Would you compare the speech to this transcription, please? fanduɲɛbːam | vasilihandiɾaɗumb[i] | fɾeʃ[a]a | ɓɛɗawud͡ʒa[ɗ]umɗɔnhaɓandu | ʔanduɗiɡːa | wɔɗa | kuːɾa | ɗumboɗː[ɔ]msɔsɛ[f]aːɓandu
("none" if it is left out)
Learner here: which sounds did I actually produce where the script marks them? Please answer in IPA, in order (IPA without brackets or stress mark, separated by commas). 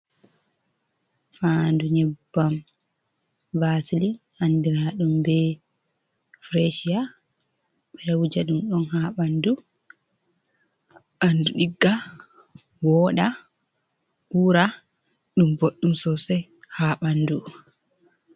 ɛ, i, ɗ, u, h